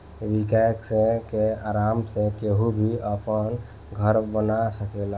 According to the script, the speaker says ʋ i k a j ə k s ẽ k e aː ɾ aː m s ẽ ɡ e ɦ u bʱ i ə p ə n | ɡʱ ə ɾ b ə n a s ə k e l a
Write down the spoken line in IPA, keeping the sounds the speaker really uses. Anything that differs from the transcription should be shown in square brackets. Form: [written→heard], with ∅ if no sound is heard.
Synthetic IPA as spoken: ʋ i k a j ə k s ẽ k e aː ɾ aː m s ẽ [ɡ→k] e ɦ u bʱ i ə p ə n | ɡʱ ə ɾ b ə n a s ə k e l a